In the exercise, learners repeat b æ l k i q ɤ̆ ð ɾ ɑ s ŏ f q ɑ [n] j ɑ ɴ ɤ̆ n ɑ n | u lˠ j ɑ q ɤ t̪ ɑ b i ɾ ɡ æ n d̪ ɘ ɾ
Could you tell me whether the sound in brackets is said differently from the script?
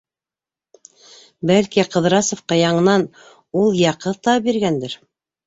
yes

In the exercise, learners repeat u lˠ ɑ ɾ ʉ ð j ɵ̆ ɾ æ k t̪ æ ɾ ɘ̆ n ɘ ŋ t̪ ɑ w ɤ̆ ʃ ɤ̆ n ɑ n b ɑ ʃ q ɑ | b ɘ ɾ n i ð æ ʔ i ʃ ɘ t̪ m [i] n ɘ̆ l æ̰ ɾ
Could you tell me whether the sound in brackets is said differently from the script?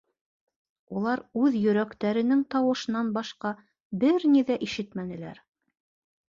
yes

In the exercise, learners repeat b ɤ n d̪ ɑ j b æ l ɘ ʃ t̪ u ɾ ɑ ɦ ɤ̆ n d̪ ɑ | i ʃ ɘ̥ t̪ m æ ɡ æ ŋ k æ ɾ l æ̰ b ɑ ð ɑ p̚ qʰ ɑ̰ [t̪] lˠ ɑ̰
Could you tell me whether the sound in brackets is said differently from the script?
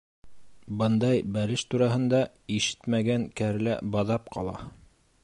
yes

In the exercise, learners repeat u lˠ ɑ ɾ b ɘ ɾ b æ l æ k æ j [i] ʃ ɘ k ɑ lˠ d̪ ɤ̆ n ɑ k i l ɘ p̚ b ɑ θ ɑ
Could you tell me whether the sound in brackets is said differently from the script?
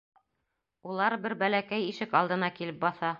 no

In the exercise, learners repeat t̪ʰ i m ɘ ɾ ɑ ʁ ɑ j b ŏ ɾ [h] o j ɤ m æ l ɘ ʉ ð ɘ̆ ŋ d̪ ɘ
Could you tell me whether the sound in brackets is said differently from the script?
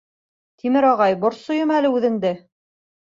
yes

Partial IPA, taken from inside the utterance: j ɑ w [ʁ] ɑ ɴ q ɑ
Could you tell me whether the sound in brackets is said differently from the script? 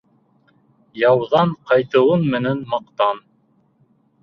yes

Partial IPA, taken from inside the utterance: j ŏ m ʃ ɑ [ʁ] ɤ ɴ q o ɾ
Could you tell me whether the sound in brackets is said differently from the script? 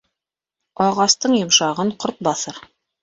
no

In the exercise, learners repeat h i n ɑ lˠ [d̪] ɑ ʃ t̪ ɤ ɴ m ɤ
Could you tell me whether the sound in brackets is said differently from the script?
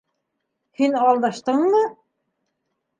no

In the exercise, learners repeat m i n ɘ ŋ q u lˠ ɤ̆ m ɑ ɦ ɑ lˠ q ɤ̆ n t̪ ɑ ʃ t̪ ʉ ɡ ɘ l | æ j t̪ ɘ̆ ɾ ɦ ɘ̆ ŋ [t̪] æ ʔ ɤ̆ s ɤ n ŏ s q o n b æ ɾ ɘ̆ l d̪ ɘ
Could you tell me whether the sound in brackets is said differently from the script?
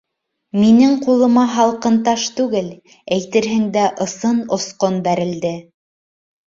yes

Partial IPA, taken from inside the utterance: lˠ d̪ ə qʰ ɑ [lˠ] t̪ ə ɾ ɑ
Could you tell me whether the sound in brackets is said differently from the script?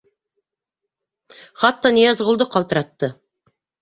no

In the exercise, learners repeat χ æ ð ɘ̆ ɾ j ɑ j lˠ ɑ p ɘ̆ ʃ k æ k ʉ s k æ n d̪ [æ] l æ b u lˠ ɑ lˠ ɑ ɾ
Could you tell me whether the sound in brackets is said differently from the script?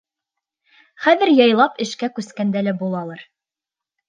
no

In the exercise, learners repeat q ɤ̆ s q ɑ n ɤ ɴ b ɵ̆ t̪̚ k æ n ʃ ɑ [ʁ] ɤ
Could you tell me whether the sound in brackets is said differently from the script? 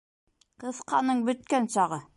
no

